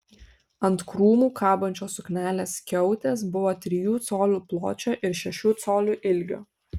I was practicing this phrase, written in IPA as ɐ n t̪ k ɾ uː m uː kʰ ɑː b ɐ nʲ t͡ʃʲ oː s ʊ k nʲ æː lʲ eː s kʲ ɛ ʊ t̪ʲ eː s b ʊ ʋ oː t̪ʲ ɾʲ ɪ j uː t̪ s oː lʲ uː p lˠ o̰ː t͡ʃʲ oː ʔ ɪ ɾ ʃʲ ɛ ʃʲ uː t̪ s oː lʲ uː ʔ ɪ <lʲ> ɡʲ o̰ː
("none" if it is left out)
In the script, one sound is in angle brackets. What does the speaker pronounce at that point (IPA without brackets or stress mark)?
lʲ